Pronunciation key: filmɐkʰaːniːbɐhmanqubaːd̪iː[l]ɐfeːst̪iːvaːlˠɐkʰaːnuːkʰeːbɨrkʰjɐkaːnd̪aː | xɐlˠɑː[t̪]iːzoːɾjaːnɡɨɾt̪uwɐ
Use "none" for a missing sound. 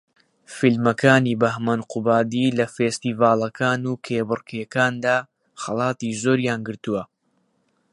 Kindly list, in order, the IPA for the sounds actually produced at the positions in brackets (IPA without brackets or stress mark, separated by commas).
l, t̪